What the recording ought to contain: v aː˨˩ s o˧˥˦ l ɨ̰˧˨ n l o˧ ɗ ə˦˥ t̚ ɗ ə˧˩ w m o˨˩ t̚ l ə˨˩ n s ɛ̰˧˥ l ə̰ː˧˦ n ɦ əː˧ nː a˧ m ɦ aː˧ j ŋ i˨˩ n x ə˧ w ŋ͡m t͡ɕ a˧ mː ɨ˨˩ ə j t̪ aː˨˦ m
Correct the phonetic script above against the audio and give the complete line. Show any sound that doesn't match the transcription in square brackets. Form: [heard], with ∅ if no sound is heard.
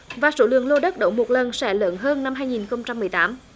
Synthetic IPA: v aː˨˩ s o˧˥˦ l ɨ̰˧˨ [ŋ] l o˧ ɗ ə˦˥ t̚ ɗ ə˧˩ w m o˨˩ t̚ l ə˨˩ n s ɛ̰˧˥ l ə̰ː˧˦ n ɦ əː˧ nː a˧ m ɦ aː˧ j ŋ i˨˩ n x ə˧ w ŋ͡m t͡ɕ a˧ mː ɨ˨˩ ə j t̪ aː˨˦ m

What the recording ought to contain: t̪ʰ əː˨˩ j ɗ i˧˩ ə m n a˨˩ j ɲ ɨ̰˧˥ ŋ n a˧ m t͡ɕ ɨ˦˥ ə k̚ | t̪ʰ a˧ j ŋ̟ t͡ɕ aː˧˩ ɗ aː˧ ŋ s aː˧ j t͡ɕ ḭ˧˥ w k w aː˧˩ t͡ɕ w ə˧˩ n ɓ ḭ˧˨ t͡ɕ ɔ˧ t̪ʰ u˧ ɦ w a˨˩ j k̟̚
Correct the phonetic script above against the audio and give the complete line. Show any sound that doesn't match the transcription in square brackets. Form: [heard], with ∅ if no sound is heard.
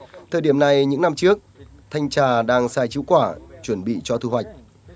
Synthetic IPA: t̪ʰ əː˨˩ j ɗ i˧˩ ə m n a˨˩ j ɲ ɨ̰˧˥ ŋ n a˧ m t͡ɕ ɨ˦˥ ə k̚ | t̪ʰ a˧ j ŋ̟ t͡ɕ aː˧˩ ɗ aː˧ ŋ s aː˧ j t͡ɕ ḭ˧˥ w k w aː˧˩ t͡ɕ w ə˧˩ n ɓ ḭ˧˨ t͡ɕ ɔ˧ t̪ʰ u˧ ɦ w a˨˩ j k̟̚

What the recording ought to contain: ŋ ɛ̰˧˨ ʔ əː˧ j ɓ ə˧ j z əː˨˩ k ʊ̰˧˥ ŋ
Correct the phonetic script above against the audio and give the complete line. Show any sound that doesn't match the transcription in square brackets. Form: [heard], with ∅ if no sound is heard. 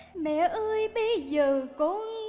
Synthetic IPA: [m] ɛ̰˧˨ ʔ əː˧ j ɓ ə˧ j z əː˨˩ k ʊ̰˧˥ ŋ

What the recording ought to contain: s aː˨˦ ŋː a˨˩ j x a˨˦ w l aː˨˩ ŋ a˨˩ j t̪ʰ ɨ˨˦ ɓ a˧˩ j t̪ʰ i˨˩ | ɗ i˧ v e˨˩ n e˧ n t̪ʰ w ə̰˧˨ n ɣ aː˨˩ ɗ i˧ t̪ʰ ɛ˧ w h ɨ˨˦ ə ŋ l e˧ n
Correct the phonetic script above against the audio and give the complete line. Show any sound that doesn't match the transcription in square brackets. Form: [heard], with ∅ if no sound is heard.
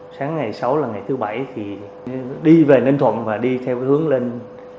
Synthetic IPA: s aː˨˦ ŋː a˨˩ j [s] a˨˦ w l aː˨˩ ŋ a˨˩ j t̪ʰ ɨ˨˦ ɓ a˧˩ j t̪ʰ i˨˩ | ɗ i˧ v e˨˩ n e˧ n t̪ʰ w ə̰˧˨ n [v] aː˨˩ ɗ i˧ t̪ʰ ɛ˧ w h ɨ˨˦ ə ŋ l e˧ n

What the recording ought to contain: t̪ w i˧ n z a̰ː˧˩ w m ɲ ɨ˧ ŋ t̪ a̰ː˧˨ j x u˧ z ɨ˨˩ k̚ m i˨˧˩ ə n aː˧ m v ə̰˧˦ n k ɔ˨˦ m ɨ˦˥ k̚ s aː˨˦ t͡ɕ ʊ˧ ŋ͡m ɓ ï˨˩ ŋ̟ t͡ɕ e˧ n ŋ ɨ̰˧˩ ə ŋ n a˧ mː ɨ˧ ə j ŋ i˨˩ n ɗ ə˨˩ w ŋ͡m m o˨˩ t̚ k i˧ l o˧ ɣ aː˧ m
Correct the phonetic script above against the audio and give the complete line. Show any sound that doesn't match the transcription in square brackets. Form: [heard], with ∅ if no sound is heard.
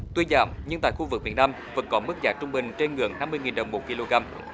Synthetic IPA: t̪ w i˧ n z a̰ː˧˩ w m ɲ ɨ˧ ŋ t̪ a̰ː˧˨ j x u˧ [v] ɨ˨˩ k̚ m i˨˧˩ ə n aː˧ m v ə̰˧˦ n k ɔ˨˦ m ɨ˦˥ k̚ [z] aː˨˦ t͡ɕ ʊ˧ ŋ͡m ɓ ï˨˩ ŋ̟ t͡ɕ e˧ n ŋ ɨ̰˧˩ ə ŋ n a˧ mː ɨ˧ ə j ŋ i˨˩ n ɗ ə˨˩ w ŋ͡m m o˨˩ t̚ k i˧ l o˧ ɣ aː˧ m

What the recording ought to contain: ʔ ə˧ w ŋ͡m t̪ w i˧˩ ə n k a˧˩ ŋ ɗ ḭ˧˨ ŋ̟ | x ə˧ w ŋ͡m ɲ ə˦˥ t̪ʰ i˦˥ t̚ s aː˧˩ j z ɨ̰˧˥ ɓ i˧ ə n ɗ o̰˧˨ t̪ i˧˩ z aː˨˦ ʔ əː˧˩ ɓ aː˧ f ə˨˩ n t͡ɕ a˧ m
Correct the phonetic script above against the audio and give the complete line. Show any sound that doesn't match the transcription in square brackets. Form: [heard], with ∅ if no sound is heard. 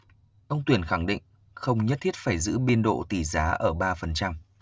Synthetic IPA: ʔ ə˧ w ŋ͡m t̪ w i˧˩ ə n [x] a˧˩ ŋ ɗ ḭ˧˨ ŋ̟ | x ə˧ w ŋ͡m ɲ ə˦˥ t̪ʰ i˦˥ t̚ [f] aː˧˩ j z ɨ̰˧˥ ɓ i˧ ə n ɗ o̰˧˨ t̪ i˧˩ z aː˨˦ ʔ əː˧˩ ɓ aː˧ f ə˨˩ n t͡ɕ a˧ m

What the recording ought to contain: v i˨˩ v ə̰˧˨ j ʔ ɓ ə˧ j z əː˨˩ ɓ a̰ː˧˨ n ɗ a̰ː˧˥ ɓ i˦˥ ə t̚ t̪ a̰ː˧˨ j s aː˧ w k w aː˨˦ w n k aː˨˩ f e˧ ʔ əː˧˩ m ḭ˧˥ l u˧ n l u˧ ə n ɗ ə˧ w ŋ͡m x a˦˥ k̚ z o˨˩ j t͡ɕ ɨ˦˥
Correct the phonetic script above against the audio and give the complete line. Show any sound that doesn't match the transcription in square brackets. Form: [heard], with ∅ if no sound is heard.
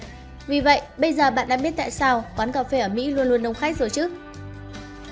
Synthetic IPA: v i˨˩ v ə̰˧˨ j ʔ ɓ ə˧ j z əː˨˩ ɓ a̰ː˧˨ n ɗ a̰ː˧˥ ɓ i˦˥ ə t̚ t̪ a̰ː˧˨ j s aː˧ w k w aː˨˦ [∅] n k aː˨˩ f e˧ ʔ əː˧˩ m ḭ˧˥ l u˧ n l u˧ ə n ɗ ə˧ w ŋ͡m x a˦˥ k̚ z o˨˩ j t͡ɕ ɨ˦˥

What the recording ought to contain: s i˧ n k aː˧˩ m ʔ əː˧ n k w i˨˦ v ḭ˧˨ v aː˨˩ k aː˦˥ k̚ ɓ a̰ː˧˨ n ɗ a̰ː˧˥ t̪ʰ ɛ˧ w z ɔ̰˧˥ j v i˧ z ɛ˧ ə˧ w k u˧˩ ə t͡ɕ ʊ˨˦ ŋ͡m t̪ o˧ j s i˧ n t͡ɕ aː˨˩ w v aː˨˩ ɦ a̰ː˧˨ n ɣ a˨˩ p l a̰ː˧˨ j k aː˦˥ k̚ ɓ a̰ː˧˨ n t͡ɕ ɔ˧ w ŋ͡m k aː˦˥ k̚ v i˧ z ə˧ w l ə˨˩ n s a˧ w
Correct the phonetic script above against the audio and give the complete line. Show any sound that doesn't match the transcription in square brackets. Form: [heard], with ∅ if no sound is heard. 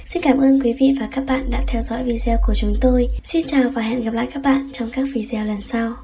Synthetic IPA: s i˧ n k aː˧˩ m ʔ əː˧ n k w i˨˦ v ḭ˧˨ v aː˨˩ k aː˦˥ k̚ ɓ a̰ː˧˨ n ɗ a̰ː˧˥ t̪ʰ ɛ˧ w z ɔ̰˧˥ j v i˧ z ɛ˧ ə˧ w k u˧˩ ə t͡ɕ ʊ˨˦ ŋ͡m t̪ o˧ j s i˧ n t͡ɕ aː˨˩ w v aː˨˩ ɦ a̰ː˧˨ n ɣ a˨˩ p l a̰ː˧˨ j k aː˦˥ k̚ ɓ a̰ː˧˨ n t͡ɕ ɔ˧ w ŋ͡m k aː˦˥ k̚ v i˧ z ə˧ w l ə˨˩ n s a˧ w

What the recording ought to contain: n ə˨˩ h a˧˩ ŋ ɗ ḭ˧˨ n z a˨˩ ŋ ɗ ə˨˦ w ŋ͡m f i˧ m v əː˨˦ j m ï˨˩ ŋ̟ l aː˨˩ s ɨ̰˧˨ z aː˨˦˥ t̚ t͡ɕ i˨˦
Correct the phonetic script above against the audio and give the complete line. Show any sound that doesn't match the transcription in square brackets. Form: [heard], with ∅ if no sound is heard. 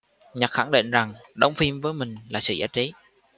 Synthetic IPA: [ɲ] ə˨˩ [x] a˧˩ ŋ ɗ ḭ˧˨ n z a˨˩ ŋ ɗ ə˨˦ w ŋ͡m f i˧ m v əː˨˦ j m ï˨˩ ŋ̟ l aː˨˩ s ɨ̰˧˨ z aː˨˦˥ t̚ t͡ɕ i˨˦

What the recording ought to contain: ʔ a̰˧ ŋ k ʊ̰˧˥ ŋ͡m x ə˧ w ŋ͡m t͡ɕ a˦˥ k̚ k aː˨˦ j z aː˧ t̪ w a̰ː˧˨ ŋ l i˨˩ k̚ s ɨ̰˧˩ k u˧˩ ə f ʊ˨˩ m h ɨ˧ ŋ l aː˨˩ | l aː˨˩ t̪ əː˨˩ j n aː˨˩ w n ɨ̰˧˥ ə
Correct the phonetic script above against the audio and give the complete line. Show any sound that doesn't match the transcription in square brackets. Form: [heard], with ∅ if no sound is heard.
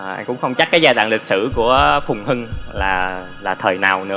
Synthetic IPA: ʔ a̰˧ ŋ k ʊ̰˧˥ ŋ͡m x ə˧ w ŋ͡m t͡ɕ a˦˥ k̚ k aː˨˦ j z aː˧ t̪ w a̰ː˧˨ ŋ l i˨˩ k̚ s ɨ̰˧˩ k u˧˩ ə f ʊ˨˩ [ŋ͡m] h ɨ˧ ŋ l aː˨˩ | l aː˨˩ [t̪ʰ] əː˨˩ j n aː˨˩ w n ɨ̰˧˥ ə

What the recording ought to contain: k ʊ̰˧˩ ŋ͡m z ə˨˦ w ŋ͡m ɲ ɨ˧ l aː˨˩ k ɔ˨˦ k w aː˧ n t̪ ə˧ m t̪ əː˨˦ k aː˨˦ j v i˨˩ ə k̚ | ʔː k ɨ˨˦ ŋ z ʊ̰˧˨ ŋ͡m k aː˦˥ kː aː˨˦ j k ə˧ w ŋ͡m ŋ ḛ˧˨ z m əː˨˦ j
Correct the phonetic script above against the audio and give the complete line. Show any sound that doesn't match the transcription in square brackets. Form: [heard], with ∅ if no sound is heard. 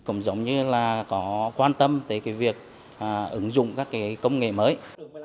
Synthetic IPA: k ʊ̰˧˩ ŋ͡m z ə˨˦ w ŋ͡m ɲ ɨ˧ l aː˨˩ k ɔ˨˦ k w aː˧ n t̪ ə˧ m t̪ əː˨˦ k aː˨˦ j v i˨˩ ə k̚ | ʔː [ʔ] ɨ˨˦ ŋ z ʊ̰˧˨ ŋ͡m k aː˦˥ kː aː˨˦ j k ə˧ w ŋ͡m ŋ ḛ˧˨ [∅] m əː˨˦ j

